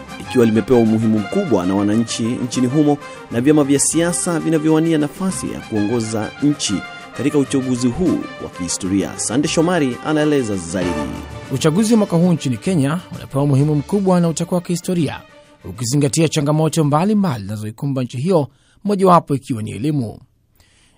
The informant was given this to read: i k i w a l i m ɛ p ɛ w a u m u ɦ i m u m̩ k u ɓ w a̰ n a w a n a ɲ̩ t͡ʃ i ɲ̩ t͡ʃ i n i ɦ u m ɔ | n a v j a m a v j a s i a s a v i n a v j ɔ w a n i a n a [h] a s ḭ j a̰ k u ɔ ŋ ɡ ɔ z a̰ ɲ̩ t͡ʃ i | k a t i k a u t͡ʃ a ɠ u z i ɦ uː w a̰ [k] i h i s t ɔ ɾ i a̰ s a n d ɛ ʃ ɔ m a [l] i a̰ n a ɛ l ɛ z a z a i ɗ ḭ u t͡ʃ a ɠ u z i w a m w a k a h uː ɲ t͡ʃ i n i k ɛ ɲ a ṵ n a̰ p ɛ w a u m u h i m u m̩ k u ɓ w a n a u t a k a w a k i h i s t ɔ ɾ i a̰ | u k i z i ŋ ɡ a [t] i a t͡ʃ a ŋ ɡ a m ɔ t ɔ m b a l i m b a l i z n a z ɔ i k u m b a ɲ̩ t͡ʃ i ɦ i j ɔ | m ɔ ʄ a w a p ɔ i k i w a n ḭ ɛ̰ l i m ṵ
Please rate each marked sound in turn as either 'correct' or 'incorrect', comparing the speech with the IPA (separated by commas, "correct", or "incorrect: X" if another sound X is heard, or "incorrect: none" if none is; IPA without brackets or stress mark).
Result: incorrect: f, correct, incorrect: ɾ, correct